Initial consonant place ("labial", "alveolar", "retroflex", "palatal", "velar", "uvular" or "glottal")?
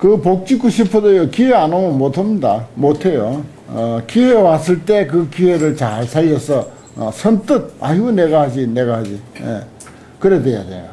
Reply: velar